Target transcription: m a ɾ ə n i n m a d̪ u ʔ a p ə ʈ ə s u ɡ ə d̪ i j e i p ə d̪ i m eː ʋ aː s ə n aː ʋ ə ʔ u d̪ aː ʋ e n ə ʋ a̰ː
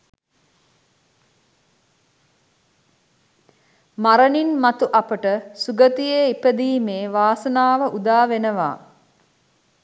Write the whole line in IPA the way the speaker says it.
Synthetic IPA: m a ɾ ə n i n m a t̪ u ʔ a p ə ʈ ə s u ɡ ə t̪ i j e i p ə d̪ iː m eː ʋ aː s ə n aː ʋ ə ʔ u d̪ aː ʋ e n ə ʋ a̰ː